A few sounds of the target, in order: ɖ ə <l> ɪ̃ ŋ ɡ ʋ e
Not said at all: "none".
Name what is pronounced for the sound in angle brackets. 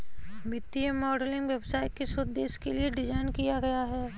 l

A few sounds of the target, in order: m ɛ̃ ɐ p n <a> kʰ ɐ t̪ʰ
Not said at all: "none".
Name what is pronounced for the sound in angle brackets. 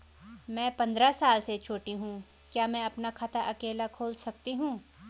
a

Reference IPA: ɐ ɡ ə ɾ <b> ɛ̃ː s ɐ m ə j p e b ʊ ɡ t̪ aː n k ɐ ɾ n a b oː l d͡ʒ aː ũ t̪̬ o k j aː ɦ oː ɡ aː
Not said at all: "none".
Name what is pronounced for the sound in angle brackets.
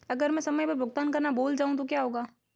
m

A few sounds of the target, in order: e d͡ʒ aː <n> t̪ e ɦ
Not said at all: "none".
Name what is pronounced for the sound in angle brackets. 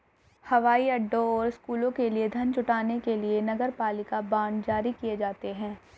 none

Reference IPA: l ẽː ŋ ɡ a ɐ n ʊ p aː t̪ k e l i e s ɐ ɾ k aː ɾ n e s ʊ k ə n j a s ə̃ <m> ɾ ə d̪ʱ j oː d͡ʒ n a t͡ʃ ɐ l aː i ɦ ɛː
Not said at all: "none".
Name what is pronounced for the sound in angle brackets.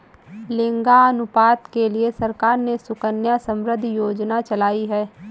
m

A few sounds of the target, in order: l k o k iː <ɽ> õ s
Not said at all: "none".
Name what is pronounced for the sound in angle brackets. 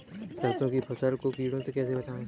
ɽ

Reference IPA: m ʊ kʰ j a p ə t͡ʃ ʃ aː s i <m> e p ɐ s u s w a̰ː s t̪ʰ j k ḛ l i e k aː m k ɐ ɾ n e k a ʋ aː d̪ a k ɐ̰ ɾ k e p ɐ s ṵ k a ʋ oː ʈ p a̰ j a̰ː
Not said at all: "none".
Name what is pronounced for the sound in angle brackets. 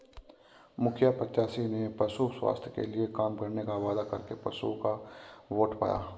n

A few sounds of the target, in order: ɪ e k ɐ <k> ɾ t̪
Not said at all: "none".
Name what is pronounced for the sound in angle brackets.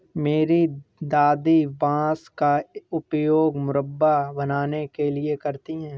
none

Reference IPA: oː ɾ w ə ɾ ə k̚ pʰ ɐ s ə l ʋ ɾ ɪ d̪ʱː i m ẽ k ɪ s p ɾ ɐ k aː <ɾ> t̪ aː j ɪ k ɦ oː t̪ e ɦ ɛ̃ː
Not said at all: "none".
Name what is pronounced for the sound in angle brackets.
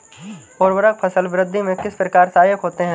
ɾ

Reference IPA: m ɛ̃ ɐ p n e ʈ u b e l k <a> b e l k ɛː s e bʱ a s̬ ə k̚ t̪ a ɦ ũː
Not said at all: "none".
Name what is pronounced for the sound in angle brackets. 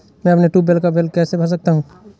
a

